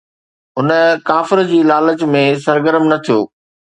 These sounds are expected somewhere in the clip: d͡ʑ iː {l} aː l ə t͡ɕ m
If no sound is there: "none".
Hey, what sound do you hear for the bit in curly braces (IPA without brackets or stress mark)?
l